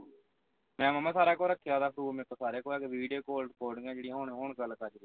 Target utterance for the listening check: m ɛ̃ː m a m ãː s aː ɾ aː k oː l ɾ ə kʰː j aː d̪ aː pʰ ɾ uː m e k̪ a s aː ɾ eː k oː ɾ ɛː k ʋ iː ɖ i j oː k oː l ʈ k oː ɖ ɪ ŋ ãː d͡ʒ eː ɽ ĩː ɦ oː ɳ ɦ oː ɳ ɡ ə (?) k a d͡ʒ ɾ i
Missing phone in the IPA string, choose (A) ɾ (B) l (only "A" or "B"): B